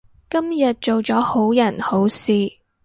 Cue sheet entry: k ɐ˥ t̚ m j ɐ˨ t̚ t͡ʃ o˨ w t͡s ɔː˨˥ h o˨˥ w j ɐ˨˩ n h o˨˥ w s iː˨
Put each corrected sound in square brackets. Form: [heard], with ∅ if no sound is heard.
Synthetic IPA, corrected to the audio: k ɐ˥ [∅] m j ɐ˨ t̚ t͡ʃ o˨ w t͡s ɔː˨˥ h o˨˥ w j ɐ˨˩ n h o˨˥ w s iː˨